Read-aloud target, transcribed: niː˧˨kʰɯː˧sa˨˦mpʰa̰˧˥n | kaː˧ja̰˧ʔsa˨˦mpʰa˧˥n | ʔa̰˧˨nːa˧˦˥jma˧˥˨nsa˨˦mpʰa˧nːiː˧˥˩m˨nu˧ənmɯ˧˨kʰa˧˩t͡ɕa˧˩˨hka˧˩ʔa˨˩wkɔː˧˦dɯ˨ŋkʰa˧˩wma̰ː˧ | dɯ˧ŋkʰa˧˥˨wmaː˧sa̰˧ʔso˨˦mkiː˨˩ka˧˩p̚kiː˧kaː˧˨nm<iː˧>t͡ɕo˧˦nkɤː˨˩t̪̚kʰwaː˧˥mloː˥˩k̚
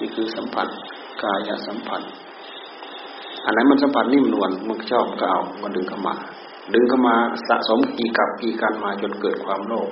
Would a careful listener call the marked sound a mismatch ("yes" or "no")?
yes